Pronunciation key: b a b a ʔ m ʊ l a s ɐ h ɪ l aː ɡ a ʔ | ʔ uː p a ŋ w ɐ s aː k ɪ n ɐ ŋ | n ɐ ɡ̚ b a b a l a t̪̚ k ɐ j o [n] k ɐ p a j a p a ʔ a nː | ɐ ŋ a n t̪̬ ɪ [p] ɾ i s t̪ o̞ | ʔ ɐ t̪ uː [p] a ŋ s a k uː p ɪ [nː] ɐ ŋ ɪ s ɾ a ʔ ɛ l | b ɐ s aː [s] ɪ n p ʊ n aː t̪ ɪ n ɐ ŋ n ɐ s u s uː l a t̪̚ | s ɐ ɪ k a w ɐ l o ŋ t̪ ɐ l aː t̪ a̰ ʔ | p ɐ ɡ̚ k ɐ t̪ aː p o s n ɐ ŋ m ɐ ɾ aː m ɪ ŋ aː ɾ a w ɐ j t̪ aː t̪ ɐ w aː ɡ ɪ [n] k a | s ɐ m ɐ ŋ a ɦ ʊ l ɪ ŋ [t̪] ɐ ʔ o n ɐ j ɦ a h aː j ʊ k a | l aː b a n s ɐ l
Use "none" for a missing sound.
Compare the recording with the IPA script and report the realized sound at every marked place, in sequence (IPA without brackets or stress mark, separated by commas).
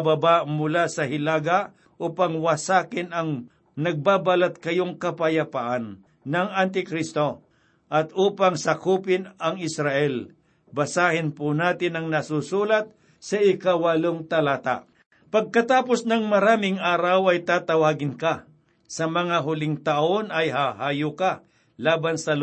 ŋ, k, p, n, h, n, t̪